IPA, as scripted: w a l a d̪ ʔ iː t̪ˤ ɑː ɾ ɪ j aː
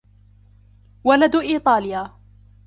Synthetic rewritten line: w a l a d̪ ʔ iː t̪ˤ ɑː l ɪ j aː